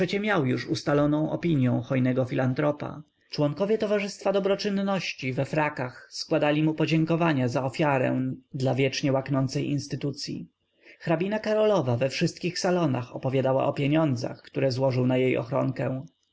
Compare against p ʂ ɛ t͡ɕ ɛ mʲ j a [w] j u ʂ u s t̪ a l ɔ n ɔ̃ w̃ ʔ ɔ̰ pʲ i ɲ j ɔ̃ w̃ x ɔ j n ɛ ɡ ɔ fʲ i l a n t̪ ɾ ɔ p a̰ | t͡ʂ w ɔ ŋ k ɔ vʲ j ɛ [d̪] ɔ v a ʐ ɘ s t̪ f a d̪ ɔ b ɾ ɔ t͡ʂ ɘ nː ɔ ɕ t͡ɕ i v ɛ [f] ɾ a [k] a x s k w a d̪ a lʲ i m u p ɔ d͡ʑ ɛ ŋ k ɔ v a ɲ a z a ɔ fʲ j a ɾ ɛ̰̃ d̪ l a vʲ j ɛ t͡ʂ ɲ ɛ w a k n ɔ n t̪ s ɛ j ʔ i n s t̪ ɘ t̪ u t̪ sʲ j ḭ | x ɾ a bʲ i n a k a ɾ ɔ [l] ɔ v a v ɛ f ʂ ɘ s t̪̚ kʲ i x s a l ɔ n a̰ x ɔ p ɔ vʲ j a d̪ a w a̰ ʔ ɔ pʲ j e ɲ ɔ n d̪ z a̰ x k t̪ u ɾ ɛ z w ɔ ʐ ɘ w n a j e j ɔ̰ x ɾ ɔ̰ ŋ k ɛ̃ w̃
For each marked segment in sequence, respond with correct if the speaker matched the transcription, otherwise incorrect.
correct, incorrect: t̪, correct, correct, correct

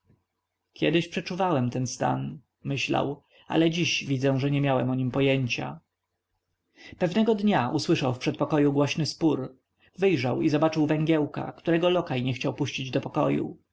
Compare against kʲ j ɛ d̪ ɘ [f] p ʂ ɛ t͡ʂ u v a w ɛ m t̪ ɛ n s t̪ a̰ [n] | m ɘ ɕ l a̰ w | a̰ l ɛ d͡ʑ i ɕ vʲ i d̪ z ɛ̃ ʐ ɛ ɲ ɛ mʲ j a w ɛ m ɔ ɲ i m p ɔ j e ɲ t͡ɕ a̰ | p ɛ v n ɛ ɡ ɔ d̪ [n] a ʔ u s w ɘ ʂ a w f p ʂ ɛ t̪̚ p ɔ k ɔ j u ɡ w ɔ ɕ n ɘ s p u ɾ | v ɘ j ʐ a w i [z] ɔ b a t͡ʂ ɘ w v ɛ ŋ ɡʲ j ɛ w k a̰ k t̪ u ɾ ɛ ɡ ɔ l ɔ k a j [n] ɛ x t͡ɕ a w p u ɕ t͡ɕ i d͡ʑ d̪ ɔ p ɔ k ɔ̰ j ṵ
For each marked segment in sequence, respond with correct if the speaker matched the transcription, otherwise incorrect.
incorrect: ɕ, correct, incorrect: ɲ, correct, incorrect: ɲ

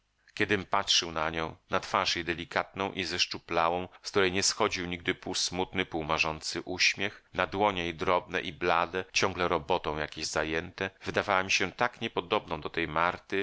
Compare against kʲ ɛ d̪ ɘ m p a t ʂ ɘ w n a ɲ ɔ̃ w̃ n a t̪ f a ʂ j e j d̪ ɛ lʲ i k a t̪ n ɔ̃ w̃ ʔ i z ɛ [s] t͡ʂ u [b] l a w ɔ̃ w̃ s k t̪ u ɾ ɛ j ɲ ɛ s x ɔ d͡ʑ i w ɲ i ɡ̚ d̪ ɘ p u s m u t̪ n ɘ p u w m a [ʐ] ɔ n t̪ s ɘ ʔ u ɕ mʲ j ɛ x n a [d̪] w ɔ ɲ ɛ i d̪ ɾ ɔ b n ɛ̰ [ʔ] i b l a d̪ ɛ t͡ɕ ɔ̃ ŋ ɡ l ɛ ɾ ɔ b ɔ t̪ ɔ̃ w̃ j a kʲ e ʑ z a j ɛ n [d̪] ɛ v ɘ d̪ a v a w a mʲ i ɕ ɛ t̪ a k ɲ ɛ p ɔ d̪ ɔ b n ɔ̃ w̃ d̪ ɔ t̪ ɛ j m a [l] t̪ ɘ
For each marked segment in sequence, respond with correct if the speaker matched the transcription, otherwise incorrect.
incorrect: ʂ, incorrect: p, correct, correct, correct, incorrect: t̪, incorrect: ɾ

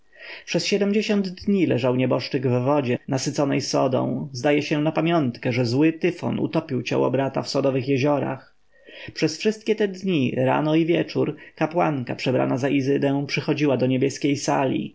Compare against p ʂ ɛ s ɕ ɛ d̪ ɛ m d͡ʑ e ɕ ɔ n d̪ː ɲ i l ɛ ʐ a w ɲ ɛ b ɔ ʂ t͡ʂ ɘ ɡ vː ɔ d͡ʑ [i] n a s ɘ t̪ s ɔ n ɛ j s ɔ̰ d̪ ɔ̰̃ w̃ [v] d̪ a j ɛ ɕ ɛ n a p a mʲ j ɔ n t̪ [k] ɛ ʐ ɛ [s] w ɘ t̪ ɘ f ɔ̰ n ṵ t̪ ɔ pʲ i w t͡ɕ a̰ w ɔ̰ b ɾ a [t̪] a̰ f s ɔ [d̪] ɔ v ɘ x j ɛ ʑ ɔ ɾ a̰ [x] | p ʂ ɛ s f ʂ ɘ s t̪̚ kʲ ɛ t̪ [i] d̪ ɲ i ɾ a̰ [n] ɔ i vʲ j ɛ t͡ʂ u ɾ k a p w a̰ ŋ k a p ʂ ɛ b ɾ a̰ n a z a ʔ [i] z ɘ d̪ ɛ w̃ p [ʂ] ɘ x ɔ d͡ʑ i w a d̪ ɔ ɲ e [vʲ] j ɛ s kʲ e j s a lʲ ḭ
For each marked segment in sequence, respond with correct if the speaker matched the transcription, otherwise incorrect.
incorrect: ɛ, incorrect: z, correct, incorrect: z, correct, correct, correct, incorrect: ɛ, correct, correct, correct, incorrect: bʲ

